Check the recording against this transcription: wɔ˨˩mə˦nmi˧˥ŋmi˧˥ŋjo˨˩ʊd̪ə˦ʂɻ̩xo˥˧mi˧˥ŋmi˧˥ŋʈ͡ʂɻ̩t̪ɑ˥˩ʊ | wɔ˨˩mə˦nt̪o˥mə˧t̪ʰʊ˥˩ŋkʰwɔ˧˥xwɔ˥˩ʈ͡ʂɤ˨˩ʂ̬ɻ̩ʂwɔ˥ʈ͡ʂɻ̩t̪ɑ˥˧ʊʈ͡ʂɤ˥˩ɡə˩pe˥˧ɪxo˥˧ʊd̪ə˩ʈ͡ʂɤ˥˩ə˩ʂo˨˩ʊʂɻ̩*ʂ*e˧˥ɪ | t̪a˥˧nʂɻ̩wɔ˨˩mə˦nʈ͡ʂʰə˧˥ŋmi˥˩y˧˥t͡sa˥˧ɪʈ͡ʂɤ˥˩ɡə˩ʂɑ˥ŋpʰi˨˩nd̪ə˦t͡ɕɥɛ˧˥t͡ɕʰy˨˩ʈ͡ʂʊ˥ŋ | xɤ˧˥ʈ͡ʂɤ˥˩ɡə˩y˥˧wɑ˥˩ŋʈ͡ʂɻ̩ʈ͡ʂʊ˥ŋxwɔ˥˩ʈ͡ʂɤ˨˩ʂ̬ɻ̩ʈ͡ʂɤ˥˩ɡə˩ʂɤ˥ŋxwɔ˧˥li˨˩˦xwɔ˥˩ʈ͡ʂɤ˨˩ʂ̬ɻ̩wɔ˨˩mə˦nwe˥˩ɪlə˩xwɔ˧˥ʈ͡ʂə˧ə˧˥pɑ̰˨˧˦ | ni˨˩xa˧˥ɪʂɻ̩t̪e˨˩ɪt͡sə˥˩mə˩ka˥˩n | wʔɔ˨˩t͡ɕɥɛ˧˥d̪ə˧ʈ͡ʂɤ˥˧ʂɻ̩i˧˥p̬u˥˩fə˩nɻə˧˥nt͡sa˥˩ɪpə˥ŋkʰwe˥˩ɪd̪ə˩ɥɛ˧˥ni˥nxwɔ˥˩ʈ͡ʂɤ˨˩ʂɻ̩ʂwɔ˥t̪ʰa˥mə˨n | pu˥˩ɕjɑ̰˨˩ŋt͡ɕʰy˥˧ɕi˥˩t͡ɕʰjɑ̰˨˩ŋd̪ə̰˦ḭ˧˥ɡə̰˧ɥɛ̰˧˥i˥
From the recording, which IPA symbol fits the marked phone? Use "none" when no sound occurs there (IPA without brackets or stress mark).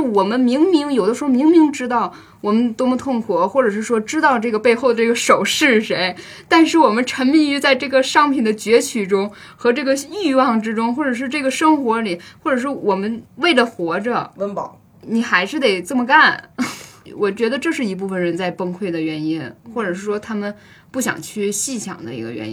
ʂ